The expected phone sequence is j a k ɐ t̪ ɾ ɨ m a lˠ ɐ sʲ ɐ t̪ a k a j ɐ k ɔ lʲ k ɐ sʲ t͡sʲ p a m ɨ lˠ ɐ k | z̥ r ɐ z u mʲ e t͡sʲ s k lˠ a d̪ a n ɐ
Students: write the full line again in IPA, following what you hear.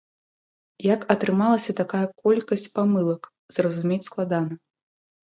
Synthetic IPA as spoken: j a k ɐ t̪ ɾ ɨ m a lˠ ɐ sʲ ɐ t̪ a k a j ɐ k ɔ lʲ k ɐ sʲ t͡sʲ p a m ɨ lˠ ɐ k | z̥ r ɐ z u mʲ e t͡sʲ s k lˠ a d̪ a n ɐ